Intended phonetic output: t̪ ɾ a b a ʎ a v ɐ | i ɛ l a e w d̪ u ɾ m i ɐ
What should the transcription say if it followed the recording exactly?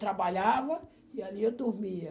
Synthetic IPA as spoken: t̪ ɾ a b a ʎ a v ɐ | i a l i e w d̪ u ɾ m i ɐ